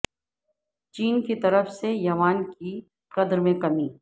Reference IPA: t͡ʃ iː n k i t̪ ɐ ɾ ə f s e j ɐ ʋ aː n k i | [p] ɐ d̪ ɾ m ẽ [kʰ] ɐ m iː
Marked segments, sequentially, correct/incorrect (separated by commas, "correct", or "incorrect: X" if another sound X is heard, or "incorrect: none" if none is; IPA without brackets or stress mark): incorrect: q, incorrect: k